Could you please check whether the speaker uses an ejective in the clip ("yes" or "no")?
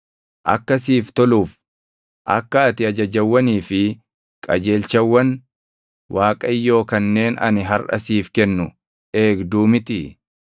yes